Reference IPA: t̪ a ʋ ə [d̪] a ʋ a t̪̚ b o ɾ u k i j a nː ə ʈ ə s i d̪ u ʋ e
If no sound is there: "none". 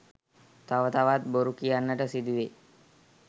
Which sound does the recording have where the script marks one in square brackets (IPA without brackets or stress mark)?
t̪